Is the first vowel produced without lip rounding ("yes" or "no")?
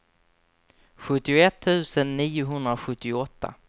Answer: no